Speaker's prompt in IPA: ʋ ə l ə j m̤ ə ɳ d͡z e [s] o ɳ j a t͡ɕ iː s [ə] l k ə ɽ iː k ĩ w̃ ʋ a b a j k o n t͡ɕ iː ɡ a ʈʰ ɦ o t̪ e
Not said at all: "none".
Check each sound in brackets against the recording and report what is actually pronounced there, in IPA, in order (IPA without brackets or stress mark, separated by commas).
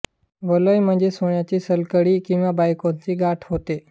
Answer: s, ə